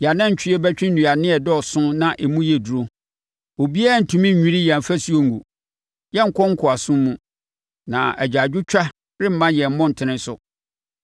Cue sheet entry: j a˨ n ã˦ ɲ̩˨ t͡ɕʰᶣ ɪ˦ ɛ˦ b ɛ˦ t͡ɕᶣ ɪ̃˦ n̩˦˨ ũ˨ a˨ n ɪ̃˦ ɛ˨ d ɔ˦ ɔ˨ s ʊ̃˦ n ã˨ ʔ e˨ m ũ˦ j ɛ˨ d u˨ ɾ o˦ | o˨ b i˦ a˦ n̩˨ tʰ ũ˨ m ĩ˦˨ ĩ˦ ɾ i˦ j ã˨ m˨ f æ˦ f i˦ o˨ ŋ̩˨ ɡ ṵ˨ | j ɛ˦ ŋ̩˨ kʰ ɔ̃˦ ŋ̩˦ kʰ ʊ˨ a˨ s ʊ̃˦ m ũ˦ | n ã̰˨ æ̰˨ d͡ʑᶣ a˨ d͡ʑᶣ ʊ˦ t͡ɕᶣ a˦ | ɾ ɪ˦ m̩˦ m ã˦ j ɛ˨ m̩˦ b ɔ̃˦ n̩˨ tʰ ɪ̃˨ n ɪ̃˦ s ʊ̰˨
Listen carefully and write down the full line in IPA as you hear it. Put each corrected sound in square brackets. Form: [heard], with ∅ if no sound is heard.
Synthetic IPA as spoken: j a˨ n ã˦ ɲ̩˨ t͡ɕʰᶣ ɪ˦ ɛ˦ b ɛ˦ t͡ɕᶣ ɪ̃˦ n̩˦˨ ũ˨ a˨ n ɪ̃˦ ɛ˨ d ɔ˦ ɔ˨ s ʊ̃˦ n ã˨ ʔ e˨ m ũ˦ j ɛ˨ d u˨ ɾ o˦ | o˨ b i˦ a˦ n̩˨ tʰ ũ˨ m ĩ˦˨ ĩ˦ ɾ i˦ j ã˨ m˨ f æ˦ [s] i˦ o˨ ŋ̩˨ ɡ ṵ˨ | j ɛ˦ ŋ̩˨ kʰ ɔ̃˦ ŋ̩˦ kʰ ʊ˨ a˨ s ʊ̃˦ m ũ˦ | n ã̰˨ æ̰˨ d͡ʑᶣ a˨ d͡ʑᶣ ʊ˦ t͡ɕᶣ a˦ | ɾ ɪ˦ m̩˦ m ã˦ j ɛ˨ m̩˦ [m] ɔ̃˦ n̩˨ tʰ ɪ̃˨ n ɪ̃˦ s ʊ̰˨